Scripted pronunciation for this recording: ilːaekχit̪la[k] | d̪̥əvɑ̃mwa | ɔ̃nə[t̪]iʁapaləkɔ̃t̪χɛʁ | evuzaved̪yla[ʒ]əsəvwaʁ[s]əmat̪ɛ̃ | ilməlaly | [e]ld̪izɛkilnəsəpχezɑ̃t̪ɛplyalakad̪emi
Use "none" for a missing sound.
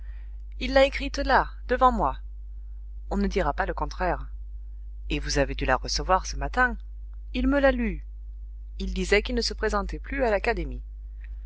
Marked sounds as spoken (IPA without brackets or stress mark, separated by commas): none, d̪, ʁ, s, i